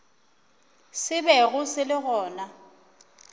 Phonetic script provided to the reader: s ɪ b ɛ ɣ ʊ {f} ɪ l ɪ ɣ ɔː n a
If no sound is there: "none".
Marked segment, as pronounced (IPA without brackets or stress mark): s